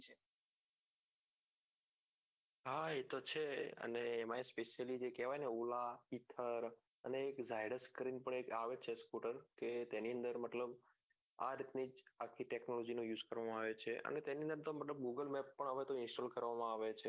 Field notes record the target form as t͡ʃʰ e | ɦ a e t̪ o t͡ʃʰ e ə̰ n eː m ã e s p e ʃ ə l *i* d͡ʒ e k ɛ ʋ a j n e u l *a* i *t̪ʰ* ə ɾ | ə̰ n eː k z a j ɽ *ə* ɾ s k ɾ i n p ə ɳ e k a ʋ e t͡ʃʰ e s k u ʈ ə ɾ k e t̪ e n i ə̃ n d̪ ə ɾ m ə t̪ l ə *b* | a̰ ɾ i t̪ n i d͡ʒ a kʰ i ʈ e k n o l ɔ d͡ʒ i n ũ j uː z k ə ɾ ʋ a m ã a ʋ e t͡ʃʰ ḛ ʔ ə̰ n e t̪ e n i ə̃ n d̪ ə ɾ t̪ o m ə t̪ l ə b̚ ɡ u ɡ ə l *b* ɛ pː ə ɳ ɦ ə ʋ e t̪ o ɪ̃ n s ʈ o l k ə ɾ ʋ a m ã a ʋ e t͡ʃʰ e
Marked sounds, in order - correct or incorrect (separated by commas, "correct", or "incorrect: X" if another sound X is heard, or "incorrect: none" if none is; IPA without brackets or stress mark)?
correct, correct, correct, correct, correct, incorrect: m